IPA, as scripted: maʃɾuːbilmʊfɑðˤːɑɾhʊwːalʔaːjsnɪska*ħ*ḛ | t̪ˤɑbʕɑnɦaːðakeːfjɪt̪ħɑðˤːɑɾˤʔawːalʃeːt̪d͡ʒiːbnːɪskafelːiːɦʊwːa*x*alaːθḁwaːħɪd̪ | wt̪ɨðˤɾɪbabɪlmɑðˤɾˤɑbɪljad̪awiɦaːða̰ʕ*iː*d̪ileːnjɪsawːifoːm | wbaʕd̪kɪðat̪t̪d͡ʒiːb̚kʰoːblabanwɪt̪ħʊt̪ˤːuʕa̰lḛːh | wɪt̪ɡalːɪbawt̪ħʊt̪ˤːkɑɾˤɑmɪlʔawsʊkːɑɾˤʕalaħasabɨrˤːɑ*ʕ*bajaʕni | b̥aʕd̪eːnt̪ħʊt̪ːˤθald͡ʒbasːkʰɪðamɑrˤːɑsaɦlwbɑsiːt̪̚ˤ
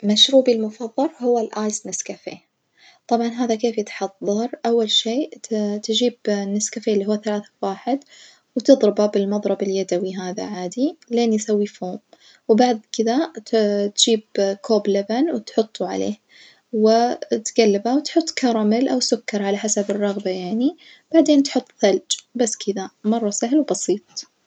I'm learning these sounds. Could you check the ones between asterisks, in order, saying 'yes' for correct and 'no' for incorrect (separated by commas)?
no, no, no, no